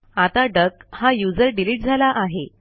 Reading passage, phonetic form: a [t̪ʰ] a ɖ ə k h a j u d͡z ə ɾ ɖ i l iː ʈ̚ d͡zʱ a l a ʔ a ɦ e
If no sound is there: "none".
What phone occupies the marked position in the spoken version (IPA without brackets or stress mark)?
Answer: t̪